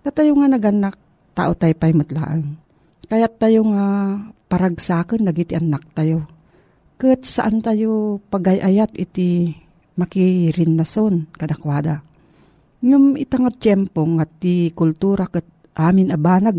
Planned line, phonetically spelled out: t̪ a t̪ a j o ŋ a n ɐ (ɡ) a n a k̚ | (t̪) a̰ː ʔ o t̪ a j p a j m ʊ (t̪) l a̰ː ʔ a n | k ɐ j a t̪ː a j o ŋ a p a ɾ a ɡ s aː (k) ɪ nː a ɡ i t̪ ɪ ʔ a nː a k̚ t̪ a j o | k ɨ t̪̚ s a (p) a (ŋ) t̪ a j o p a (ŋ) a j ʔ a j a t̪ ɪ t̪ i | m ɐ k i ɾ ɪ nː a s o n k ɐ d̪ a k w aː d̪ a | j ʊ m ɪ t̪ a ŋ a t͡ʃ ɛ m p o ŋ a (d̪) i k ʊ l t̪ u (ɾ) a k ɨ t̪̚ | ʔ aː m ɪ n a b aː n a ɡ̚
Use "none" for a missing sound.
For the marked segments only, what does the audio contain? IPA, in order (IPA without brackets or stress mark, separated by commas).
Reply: ɡ, t̪, t̪, k, ʔ, n, ɡ, t̪, ɾ